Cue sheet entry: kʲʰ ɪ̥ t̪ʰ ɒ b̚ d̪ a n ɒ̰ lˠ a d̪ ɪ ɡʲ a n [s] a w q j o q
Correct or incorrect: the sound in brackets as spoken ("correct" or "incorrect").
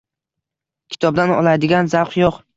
incorrect